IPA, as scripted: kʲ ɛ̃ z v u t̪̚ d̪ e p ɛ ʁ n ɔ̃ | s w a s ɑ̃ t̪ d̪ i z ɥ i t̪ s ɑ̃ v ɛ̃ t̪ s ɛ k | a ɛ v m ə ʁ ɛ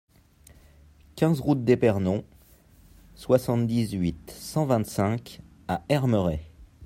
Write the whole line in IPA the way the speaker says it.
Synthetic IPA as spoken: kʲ ɛ̃ z ʁ u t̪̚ d̪ e p ɛ ʁ n ɔ̃ | s w a s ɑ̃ t̪ d̪ i z ɥ i t̪ s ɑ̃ v ɛ̃ t̪ s ɛ̃ k | a ɛ ʁ m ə ʁ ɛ

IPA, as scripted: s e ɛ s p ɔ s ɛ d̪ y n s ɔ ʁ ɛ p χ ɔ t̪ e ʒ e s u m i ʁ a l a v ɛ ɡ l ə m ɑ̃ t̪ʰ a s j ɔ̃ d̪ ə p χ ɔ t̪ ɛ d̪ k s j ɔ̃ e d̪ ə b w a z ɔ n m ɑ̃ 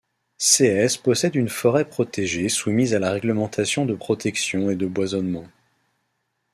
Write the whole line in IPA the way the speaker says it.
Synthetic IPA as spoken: s e ɛ s p ɔ s ɛ d̪ y n f ɔ ʁ ɛ p χ ɔ t̪ e ʒ e s u m i z a l a ʁ ɛ ɡ l ə m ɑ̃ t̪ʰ a s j ɔ̃ d̪ ə p χ ɔ t̪ ɛ k s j ɔ̃ e d̪ ə b w a z ɔ n m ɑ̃

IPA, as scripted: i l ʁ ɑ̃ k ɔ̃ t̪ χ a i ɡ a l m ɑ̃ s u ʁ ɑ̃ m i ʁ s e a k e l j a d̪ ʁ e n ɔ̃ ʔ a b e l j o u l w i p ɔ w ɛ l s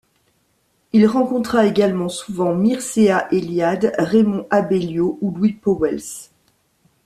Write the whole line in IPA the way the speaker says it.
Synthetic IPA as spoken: i l ʁ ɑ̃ k ɔ̃ t̪ χ a e ɡ a l m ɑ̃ s u v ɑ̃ m i ʁ s e a ʔ e l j a d̪ ʁ e m ɔ̃ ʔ a b e l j o u l w i p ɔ w ɛ l s

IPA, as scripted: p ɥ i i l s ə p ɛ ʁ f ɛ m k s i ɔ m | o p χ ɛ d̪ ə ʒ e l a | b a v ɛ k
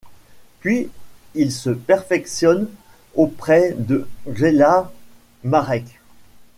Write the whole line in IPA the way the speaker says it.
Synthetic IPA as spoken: p ɥ i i l s ə p ɛ ʁ f ɛ k s j ɔ n | o p χ ɛ d̪ ə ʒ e l a | m a ʁ ɛ k

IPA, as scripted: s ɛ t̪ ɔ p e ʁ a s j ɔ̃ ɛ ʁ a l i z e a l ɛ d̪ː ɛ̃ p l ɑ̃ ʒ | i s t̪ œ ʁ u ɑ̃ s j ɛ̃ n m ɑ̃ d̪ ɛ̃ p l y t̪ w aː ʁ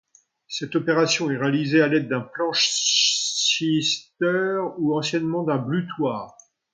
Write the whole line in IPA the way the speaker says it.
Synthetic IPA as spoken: s ɛ t̪ ɔ p e ʁ a s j ɔ̃ ɛ ʁ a l i z e a l ɛ d̪ː ɛ̃ p l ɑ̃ ʃ | i s t̪ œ ʁ u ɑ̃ s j ɛ n m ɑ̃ d̪ ɛ̃ b l y t̪ w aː ʁ

